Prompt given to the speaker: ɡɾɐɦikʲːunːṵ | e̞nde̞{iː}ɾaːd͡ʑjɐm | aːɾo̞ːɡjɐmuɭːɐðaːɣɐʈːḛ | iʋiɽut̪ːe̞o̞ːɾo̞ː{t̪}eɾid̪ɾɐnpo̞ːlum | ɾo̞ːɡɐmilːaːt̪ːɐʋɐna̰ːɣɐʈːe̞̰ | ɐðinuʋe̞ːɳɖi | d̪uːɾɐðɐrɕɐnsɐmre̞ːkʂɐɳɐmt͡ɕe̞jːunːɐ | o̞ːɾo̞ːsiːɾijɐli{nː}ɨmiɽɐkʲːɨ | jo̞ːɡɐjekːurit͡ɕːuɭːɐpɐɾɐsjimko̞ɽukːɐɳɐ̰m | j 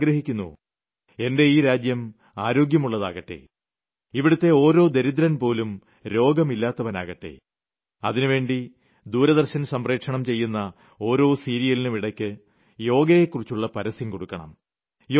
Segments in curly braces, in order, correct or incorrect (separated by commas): correct, incorrect, incorrect